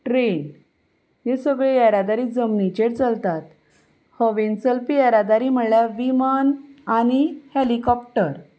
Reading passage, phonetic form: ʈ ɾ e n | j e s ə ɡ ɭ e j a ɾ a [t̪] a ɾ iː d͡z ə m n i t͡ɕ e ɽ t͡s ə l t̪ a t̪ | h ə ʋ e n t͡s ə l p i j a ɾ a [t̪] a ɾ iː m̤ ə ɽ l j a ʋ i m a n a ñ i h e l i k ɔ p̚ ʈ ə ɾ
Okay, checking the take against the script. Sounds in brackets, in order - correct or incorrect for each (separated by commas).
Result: incorrect, incorrect